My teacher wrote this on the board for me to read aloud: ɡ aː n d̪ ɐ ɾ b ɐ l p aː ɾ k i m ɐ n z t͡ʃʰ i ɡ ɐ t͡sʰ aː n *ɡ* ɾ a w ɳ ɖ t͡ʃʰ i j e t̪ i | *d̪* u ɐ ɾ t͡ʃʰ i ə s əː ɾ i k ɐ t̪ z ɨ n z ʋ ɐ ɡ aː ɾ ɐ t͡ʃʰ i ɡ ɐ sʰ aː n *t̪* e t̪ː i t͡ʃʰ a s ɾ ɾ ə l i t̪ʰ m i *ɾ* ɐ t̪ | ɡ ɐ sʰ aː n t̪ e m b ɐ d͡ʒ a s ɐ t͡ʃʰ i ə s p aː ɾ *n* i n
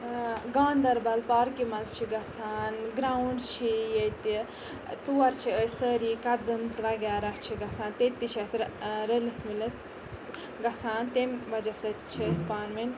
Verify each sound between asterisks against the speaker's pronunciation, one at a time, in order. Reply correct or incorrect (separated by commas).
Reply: correct, incorrect, correct, incorrect, incorrect